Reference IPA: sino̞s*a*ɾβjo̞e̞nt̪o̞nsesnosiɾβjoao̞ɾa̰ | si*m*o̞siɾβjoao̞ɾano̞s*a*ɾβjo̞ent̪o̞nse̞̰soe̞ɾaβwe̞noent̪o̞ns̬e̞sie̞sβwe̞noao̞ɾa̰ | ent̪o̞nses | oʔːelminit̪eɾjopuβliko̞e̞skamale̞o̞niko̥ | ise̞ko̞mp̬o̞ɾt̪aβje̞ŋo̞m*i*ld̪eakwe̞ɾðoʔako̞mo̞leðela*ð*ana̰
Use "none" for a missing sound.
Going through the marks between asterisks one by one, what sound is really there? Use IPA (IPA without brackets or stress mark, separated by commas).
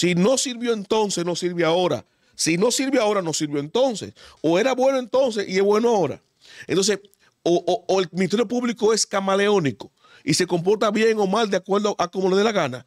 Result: i, n, i, a, ɣ